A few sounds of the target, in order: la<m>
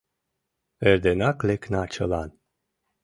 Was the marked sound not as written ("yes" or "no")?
yes